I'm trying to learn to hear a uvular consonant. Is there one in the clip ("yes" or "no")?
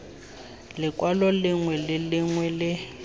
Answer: no